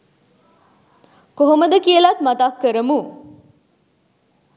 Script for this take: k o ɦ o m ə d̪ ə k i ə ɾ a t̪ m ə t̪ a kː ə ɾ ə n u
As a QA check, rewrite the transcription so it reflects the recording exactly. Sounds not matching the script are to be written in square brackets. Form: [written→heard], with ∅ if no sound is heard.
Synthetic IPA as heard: k o ɦ o m ə d̪ ə k i ə [ɾ→l] a t̪ m [ə→a] t̪ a kː ə ɾ ə [n→m] u